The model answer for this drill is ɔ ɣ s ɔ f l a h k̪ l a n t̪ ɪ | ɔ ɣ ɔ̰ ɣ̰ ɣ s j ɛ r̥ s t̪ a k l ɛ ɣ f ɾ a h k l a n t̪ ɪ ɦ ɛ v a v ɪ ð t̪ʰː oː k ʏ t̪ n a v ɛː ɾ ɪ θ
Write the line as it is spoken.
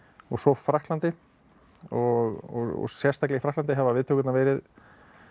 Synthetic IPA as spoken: ɔ ɣ s ɔ f ɾ a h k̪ l a n t̪ ɪ | ɔ ɣ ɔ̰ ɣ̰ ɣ s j ɛ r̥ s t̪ a k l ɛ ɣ f ɾ a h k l a n t̪ ɪ ɦ ɛ v a v ɪ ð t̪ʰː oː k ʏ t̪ n a v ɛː ɾ ɪ ð